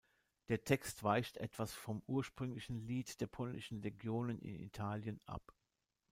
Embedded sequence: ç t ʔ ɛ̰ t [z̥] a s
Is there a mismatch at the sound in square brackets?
yes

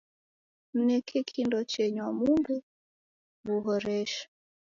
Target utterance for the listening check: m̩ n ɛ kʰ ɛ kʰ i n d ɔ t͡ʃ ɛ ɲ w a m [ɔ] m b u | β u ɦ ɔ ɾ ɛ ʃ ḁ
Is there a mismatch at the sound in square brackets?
yes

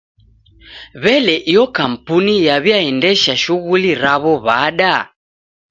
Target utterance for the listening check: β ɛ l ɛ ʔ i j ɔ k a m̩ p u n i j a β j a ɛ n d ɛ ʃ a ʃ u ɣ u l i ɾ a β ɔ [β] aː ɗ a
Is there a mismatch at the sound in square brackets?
no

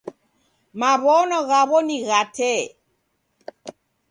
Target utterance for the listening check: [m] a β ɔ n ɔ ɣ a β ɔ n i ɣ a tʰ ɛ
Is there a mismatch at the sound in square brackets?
no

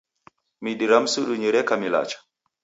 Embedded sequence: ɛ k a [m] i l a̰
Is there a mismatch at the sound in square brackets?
no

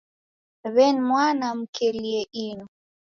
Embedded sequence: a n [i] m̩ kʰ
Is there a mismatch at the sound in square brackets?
yes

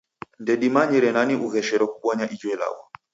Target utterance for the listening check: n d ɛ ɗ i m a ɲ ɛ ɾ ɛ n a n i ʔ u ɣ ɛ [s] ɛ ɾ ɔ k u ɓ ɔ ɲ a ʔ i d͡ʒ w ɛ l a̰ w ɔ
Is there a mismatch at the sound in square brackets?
yes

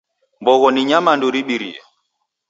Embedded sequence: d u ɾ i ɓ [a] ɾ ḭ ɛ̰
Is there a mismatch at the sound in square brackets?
yes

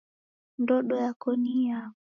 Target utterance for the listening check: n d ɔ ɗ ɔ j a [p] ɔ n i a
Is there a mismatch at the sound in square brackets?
yes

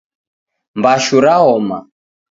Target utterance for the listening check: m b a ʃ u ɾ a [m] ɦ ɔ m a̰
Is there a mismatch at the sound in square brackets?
yes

